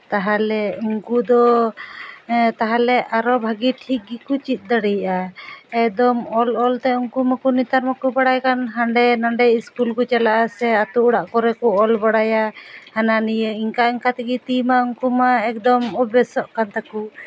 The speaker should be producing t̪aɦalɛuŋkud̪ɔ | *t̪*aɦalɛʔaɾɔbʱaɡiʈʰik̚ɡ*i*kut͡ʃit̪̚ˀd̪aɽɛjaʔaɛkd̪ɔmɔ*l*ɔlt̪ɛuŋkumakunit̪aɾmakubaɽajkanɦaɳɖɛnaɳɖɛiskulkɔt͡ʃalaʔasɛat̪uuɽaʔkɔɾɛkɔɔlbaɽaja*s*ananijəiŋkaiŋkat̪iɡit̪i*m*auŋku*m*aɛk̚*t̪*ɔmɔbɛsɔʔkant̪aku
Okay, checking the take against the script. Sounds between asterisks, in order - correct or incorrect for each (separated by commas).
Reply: correct, correct, correct, incorrect, correct, correct, incorrect